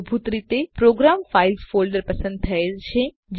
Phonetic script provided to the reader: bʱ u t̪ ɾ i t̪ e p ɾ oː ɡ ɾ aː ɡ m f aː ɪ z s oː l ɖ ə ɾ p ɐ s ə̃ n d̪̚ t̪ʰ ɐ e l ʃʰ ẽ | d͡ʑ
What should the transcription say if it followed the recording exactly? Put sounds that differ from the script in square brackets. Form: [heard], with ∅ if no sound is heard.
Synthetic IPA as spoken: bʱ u t̪ ɾ i t̪ e p ɾ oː ɡ ɾ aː [∅] m f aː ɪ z [f] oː l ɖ ə ɾ p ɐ s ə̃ n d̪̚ t̪ʰ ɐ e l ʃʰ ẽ | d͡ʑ